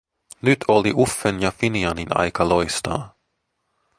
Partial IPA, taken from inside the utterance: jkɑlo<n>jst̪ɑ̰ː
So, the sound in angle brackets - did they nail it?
no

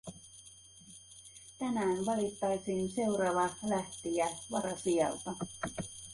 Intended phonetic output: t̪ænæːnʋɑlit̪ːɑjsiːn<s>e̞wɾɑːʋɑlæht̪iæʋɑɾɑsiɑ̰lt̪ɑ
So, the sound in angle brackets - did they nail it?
yes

